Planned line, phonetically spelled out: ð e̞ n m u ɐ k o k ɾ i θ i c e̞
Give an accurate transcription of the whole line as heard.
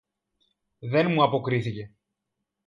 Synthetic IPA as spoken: ð e̞ n m u ɐ p o k ɾ i θ i c e̞